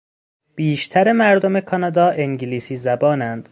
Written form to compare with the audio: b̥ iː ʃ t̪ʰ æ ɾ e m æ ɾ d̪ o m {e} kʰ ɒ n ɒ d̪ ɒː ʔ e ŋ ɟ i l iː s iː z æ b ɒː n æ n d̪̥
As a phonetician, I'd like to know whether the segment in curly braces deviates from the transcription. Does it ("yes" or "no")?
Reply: no